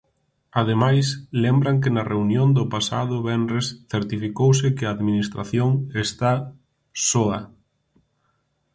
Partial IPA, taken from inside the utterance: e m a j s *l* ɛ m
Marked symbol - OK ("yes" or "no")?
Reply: yes